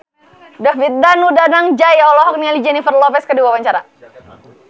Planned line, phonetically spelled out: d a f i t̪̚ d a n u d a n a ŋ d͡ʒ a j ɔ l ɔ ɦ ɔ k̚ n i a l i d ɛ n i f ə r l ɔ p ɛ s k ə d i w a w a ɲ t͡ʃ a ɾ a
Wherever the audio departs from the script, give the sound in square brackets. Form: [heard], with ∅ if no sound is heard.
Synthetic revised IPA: d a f i t̪̚ d a n u d a n a ŋ d͡ʒ a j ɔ l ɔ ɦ ɔ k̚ n i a l i [d͡ʒ] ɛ n i f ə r l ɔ p ɛ s k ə d i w a w a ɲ t͡ʃ a ɾ a